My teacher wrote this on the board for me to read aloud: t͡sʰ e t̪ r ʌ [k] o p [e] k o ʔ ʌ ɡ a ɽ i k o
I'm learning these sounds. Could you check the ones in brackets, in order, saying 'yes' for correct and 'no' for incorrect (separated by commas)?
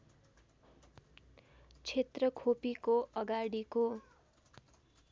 no, no